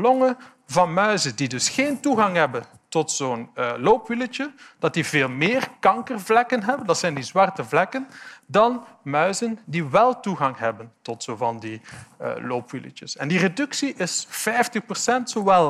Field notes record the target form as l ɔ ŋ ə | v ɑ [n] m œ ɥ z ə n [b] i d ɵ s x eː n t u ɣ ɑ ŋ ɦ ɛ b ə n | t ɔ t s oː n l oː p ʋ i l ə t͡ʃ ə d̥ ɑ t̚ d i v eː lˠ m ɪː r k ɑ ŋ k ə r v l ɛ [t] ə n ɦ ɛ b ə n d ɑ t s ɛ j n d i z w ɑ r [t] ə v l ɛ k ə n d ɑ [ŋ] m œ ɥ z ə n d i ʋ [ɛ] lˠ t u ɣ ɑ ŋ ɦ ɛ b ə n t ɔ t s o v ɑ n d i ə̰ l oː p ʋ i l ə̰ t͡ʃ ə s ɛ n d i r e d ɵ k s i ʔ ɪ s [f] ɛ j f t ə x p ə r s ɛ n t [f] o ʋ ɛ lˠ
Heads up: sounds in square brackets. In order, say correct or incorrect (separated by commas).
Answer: correct, incorrect, incorrect, correct, incorrect, correct, correct, incorrect